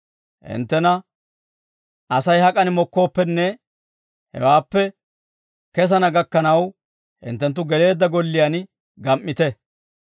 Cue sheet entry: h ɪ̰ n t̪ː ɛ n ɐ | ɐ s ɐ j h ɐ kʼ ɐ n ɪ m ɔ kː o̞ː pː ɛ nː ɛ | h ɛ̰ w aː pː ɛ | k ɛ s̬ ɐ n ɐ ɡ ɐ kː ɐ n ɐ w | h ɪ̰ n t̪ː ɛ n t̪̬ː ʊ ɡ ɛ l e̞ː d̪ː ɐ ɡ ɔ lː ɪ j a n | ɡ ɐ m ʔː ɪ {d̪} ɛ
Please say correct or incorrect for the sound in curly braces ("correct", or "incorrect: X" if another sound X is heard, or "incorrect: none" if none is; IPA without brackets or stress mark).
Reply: incorrect: t̪